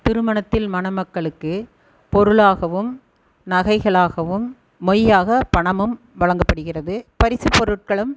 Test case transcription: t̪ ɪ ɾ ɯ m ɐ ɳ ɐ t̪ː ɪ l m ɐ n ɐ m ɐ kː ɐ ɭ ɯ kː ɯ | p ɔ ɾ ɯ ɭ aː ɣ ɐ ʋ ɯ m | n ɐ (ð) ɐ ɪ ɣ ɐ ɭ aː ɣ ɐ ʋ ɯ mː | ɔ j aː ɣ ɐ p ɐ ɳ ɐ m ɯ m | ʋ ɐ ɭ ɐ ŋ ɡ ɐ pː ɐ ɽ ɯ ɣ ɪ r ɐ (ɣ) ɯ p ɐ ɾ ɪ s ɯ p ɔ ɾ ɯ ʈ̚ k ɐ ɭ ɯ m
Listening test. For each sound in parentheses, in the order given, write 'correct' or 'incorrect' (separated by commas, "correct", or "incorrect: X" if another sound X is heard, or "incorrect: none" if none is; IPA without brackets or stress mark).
incorrect: ɣ, incorrect: ð